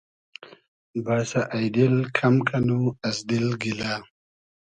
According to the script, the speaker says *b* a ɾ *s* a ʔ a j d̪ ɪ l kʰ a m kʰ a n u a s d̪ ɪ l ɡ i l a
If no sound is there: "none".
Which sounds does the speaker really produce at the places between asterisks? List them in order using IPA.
b, s

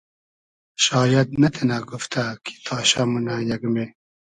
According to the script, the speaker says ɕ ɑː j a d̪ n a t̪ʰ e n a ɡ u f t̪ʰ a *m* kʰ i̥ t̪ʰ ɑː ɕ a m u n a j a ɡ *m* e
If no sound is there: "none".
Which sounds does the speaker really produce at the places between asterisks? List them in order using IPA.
none, m

